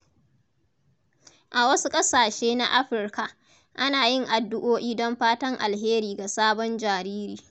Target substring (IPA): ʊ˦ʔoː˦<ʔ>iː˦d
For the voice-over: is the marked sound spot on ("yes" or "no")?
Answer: yes